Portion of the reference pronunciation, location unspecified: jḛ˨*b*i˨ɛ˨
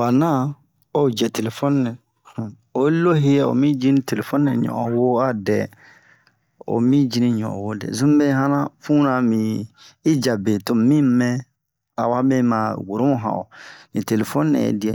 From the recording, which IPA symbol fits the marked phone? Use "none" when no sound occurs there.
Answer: d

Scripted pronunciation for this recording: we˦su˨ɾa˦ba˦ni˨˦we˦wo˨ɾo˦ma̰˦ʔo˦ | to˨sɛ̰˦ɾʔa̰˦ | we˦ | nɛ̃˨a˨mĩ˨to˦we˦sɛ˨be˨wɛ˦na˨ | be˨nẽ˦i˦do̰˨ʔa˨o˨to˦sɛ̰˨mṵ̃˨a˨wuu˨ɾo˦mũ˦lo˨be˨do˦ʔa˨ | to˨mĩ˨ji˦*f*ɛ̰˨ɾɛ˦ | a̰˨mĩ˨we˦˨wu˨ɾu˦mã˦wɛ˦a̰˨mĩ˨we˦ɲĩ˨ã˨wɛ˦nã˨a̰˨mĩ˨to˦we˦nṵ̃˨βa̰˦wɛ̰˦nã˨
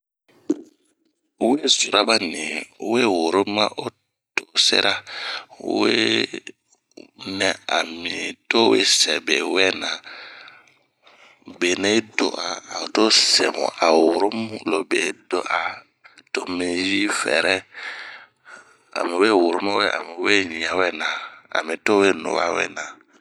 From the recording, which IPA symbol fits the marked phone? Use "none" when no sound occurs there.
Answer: f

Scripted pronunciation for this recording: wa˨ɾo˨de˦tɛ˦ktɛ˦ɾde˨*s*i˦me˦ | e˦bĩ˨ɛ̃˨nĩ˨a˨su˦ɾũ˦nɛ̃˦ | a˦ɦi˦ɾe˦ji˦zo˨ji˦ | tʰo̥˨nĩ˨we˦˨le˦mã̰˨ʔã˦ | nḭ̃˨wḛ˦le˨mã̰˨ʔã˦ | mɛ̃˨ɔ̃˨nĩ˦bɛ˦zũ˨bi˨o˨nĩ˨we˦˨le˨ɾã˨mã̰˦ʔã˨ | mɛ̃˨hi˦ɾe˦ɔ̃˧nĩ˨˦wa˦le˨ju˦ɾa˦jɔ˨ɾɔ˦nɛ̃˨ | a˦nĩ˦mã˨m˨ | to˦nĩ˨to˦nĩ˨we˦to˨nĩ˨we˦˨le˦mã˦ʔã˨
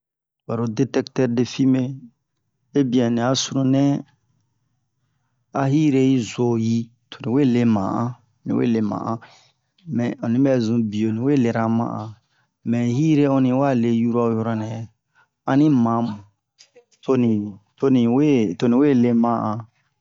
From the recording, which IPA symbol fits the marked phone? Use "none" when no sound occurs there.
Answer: f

